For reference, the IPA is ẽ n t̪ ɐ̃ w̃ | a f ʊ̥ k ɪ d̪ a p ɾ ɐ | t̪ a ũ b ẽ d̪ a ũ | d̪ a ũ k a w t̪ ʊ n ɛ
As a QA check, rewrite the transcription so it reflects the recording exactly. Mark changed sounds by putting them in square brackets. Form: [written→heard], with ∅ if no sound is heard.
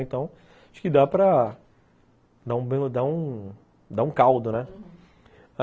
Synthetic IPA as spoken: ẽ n t̪ ɐ̃ w̃ | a [f→ʃ] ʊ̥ k ɪ d̪ a p ɾ ɐ | [t̪→d̪] a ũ b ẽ d̪ a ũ | d̪ a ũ k a w [t̪→d̪] ʊ n ɛ